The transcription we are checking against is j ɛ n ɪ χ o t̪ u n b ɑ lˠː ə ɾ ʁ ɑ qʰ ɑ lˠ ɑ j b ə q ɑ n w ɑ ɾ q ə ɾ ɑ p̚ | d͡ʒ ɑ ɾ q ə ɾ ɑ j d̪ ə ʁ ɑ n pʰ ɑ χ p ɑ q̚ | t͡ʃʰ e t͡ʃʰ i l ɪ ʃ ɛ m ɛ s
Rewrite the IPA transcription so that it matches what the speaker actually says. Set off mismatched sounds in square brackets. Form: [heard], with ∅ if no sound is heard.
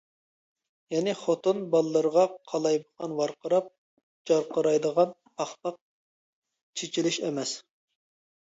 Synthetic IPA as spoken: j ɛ n ɪ χ o t̪ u n b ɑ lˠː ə ɾ ʁ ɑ qʰ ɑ lˠ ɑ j b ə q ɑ n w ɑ ɾ q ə ɾ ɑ p̚ | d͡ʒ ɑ ɾ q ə ɾ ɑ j d̪ ə ʁ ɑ n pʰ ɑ χ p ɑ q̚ | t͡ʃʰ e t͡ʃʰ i l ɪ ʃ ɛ m ɛ s

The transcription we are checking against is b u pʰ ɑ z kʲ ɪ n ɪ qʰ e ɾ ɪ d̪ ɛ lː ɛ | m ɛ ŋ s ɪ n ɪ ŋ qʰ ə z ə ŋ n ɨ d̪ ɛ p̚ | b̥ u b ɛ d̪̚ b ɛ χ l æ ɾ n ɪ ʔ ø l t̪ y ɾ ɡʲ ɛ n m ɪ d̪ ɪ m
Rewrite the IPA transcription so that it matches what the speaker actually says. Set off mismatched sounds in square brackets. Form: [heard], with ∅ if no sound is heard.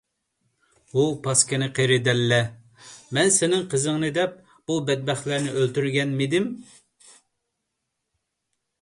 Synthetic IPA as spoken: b u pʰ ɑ [s] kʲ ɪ n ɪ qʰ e ɾ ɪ d̪ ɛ lː ɛ | m ɛ [n] s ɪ n ɪ ŋ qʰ ə z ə ŋ n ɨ d̪ ɛ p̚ | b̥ u b ɛ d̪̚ b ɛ χ l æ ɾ n ɪ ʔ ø l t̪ y ɾ ɡʲ ɛ n m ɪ d̪ ɪ m

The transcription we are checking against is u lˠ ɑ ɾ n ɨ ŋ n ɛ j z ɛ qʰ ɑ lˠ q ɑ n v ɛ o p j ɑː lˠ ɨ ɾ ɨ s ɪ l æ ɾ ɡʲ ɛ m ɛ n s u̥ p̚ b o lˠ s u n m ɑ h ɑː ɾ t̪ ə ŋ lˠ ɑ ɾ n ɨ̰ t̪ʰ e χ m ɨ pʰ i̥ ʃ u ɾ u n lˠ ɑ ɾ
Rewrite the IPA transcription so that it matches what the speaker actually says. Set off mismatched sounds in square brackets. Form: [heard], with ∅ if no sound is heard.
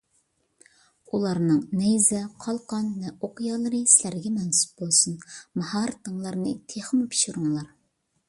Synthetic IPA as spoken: u lˠ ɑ ɾ n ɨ ŋ n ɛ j z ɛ qʰ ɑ lˠ q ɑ n v ɛ o [q] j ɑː lˠ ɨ ɾ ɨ s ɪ l æ ɾ ɡʲ ɛ m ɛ n s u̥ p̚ b o lˠ s u n m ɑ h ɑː ɾ t̪ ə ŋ lˠ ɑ ɾ n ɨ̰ t̪ʰ e χ m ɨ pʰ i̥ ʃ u ɾ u [ŋ] lˠ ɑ ɾ

